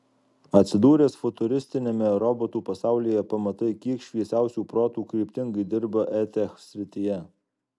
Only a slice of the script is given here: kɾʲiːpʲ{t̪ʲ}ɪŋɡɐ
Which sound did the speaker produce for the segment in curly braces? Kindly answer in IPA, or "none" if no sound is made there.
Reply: t̪ʲ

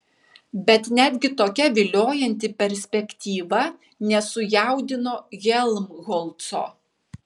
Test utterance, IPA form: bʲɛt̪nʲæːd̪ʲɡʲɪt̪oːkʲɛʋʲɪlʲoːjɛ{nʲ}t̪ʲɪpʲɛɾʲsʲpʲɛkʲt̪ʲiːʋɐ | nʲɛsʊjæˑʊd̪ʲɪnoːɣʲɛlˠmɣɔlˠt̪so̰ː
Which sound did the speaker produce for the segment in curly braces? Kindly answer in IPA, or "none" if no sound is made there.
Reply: nʲ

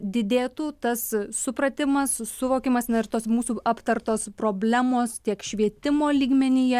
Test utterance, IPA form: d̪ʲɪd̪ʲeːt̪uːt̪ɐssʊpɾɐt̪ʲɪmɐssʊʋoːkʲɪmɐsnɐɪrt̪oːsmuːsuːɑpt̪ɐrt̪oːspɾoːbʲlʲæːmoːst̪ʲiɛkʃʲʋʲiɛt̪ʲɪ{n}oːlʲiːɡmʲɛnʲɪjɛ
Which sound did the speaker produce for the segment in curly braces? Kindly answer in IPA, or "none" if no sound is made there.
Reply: m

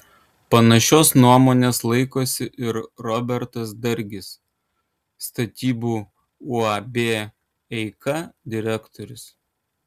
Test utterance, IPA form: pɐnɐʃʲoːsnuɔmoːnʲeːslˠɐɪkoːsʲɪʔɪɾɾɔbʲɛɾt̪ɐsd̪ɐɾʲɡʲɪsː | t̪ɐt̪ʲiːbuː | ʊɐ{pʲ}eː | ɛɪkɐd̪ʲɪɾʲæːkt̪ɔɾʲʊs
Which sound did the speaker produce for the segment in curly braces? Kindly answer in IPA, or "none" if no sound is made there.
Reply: bʲ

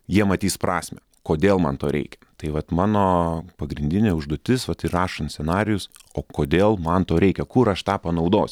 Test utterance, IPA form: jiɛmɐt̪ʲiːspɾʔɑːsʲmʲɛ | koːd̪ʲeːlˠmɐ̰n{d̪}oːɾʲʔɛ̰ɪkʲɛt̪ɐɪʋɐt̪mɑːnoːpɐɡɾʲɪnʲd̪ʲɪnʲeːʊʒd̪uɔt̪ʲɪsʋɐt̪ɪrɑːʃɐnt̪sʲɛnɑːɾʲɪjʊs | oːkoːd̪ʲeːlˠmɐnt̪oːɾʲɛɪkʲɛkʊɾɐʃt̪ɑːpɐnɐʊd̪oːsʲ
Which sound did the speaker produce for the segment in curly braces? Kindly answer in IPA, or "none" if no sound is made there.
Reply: t̪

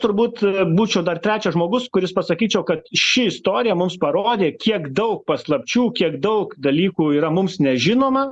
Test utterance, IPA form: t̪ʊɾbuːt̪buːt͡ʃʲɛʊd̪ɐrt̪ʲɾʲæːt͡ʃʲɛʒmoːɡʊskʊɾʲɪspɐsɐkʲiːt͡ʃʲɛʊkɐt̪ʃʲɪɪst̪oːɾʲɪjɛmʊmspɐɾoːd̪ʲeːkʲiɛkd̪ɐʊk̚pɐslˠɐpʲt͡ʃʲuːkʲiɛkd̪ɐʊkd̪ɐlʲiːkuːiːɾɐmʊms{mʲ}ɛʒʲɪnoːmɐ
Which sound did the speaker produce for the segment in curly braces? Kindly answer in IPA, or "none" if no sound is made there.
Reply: nʲ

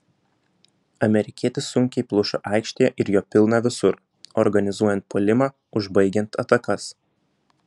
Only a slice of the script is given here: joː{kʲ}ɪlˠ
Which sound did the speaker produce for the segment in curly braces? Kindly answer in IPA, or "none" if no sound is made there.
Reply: pʲ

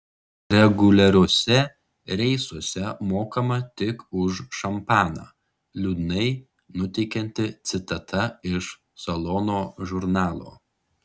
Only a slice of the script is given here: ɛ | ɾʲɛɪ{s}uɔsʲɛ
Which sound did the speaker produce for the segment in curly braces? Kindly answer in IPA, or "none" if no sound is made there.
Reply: s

